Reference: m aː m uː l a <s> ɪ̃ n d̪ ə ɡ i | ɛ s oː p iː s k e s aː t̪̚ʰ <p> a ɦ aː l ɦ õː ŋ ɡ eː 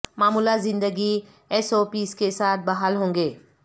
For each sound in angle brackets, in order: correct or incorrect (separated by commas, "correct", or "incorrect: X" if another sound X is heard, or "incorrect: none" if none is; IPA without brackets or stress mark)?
incorrect: z, incorrect: b